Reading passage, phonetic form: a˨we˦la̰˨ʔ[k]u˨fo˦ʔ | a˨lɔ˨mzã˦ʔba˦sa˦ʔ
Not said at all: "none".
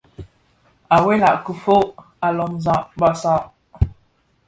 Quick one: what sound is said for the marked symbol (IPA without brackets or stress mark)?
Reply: k